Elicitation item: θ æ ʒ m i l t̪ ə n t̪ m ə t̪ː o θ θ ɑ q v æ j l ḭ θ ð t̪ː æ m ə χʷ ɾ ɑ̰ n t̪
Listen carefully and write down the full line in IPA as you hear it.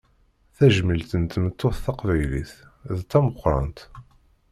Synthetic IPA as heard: θ æ ʒ m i l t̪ ə n t̪ m ə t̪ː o θ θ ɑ q v æ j l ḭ θ ð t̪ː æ m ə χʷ ɾ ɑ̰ n t̪